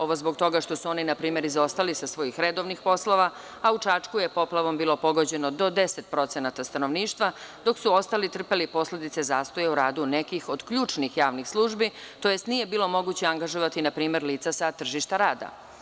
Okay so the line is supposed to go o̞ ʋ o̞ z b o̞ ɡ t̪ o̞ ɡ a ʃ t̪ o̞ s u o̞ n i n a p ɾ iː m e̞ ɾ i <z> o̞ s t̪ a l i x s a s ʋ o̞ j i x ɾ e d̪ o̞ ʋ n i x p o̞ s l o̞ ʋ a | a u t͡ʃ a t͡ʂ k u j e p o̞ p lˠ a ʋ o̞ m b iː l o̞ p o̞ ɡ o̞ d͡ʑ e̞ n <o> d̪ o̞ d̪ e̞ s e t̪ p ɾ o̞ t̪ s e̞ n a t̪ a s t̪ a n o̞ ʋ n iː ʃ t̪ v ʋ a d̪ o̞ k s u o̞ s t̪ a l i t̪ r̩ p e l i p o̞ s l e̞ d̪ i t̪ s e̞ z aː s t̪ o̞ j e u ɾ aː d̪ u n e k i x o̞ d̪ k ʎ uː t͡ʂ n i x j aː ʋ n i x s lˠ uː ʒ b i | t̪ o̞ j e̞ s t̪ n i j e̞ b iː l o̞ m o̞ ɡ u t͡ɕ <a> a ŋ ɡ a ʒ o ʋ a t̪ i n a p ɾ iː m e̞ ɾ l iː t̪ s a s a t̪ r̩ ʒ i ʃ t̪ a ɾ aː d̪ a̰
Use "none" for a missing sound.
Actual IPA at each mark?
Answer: z, o, e

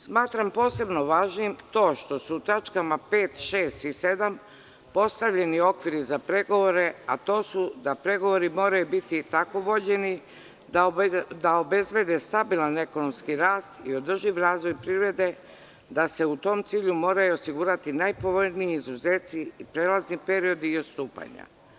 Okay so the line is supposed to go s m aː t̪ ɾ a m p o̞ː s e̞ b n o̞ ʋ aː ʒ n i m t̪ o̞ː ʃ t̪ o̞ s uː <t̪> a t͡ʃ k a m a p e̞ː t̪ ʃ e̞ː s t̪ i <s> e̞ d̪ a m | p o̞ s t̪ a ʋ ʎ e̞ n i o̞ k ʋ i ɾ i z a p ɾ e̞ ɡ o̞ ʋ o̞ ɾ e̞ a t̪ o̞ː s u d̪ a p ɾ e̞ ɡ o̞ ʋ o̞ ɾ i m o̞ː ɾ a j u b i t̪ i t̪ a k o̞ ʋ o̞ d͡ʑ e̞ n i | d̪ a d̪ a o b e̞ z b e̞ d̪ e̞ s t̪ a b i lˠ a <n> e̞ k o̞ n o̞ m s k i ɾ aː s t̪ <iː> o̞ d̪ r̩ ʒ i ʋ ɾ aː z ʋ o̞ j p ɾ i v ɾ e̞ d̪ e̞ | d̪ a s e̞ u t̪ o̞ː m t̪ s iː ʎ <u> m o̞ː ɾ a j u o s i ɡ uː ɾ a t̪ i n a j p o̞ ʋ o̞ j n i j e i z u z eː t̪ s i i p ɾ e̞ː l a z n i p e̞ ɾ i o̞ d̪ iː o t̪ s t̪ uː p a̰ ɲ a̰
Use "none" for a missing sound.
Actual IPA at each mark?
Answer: t̪, s, n, i, u

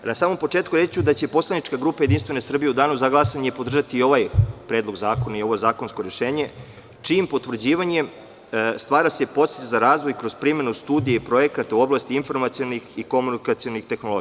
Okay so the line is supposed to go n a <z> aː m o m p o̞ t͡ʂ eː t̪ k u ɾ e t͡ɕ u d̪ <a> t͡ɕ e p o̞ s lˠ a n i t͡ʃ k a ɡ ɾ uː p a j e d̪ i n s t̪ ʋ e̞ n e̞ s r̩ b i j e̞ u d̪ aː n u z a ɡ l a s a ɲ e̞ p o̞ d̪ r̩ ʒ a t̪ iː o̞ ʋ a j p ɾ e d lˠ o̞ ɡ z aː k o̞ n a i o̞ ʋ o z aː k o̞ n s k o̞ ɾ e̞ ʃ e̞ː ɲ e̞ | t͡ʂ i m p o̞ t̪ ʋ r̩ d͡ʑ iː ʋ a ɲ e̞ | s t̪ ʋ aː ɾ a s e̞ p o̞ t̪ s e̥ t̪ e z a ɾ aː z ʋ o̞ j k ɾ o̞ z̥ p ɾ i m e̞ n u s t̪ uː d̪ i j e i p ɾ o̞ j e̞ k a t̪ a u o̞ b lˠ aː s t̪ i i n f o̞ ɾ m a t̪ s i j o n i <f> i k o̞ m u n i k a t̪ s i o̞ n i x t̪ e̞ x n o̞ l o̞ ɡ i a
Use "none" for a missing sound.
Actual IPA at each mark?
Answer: s, a, x

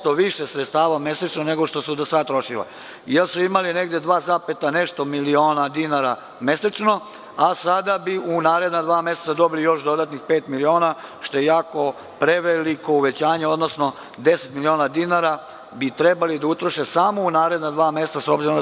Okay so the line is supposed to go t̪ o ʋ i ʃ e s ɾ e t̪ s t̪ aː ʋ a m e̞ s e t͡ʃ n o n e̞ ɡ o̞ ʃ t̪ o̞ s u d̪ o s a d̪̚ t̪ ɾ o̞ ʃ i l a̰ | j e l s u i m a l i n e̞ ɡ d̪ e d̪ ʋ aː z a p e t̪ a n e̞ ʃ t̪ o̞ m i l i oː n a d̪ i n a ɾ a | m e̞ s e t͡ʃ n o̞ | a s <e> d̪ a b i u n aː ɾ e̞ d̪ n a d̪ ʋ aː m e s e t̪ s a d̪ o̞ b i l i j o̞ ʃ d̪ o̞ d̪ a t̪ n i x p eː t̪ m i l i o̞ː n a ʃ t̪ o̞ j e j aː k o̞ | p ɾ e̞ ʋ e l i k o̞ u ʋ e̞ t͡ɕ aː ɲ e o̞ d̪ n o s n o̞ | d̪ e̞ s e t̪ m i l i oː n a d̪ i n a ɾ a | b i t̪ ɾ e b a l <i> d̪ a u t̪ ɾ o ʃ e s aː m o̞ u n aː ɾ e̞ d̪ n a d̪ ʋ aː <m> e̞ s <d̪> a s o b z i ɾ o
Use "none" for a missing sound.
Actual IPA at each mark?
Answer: a, i, m, t̪

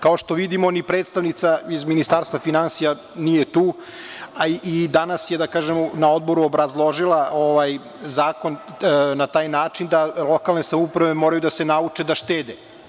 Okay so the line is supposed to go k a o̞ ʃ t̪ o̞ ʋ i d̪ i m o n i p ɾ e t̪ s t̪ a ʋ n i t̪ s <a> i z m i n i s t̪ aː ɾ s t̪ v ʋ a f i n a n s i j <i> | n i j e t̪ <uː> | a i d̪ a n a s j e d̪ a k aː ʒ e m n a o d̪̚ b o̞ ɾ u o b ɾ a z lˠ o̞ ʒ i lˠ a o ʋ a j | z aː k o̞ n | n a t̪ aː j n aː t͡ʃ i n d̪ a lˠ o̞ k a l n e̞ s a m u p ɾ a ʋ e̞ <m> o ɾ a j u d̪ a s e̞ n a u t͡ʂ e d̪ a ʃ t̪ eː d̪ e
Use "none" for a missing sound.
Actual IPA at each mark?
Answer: a, a, uː, m

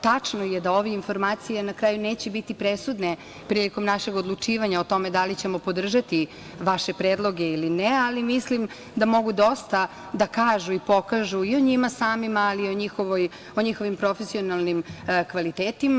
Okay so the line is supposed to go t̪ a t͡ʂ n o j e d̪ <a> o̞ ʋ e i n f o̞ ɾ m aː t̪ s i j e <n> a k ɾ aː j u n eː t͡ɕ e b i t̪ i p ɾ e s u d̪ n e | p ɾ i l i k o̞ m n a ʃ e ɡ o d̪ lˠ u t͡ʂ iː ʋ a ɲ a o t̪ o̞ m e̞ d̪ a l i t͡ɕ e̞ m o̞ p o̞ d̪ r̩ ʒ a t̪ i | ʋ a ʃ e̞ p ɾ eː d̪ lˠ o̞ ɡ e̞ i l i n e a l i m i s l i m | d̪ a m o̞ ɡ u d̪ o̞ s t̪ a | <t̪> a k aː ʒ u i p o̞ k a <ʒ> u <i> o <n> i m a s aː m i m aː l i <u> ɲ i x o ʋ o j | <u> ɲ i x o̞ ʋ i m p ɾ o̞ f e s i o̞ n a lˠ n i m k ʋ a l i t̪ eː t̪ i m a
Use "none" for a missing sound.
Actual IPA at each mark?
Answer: a, n, d̪, ʒ, i, ɲ, o, o

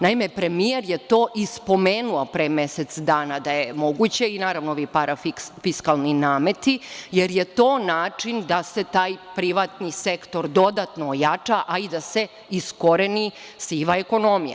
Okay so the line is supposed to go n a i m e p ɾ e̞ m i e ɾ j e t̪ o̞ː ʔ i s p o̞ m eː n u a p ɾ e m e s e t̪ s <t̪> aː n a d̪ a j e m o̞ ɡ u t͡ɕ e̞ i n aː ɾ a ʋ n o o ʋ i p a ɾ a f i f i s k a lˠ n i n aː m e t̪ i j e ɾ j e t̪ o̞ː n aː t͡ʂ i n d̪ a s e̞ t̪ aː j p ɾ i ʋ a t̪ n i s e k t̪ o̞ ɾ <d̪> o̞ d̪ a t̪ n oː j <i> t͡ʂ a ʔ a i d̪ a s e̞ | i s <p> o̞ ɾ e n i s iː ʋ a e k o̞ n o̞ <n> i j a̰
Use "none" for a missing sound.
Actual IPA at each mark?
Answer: d̪, d̪, a, k, m

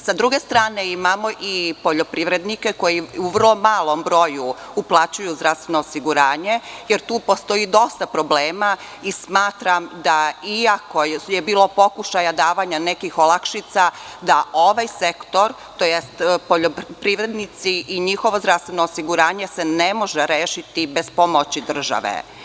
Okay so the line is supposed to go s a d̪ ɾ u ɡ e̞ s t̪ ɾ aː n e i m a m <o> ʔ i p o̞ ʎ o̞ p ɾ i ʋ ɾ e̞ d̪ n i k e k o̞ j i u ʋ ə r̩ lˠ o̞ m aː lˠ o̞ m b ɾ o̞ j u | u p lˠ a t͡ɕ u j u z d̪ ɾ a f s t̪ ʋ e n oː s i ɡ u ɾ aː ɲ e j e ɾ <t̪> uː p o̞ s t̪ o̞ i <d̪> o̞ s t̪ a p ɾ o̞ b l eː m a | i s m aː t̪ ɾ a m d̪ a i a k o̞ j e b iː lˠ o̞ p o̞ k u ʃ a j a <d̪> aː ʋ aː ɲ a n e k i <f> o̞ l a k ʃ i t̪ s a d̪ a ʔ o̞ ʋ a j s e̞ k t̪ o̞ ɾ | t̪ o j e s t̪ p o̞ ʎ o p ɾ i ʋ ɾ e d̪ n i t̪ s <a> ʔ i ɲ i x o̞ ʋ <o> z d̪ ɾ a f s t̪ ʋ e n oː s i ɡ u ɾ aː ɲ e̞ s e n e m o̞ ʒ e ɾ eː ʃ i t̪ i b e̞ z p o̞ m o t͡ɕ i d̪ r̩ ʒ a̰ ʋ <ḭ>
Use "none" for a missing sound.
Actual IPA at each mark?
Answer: o, t̪, d̪, d̪, x, i, o, ḛ

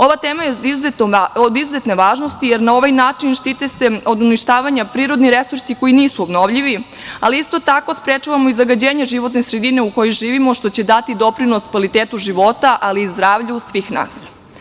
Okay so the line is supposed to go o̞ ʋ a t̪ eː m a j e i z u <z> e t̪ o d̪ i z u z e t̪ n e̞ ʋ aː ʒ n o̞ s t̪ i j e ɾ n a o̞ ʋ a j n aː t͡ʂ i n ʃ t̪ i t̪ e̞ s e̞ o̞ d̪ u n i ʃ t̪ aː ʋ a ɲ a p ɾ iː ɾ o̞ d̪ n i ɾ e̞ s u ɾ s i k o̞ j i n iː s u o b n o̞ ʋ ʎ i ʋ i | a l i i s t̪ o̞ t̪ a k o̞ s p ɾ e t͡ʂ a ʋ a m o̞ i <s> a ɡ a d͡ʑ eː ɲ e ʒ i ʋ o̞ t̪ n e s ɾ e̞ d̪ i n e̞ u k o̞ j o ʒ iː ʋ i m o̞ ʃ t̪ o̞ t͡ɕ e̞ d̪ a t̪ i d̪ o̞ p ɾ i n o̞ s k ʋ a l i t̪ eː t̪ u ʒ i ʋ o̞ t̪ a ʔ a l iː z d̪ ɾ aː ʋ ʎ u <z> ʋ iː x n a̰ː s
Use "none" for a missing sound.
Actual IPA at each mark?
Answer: z, z, s

